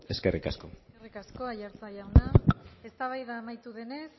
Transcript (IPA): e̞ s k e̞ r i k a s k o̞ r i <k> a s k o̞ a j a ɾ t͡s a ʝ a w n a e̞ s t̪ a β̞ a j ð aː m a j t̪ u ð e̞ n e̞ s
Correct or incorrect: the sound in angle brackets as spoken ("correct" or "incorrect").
correct